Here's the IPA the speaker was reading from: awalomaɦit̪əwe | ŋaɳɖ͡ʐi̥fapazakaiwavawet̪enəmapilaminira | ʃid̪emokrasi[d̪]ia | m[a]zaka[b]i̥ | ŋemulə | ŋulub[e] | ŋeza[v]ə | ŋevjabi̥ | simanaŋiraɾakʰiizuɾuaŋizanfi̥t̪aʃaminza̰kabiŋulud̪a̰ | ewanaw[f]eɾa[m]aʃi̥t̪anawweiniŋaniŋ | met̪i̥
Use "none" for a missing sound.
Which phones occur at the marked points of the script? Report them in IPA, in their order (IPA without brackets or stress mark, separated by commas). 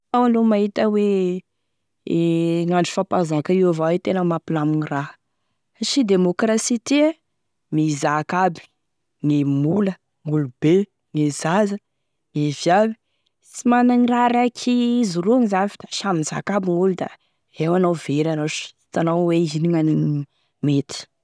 t̪, i, b, e, z, v, n